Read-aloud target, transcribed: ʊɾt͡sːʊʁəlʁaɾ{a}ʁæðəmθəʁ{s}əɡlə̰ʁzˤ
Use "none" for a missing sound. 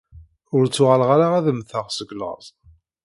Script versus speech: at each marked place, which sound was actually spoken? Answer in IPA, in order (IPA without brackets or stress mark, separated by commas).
a, s